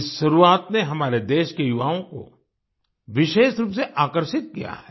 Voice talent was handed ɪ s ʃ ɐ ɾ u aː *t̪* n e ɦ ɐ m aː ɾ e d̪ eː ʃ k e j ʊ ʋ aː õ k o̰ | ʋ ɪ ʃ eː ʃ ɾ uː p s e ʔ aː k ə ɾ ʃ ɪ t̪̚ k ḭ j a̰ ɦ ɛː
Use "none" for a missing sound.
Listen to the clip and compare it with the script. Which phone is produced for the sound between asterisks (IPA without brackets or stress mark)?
t̪